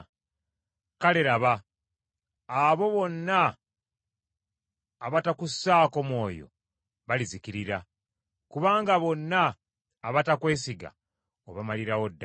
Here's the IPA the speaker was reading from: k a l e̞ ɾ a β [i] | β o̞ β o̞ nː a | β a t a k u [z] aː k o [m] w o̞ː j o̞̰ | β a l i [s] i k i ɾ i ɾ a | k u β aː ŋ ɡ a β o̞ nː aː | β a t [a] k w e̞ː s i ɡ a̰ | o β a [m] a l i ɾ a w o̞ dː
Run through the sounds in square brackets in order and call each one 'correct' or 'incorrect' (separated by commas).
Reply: incorrect, incorrect, correct, incorrect, correct, correct